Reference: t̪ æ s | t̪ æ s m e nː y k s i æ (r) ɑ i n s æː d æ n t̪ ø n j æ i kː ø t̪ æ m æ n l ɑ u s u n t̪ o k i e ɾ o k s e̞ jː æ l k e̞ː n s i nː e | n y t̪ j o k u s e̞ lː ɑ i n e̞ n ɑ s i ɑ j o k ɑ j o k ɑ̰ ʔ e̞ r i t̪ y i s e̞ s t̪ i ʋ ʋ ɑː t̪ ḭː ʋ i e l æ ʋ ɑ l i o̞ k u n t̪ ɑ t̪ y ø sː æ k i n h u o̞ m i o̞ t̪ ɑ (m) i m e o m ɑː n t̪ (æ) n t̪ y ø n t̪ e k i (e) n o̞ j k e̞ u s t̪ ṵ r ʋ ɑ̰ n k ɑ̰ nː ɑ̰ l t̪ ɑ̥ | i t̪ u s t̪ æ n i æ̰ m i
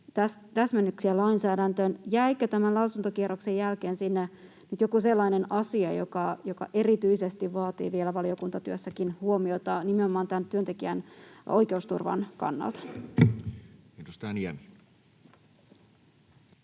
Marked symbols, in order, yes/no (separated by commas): no, no, yes, no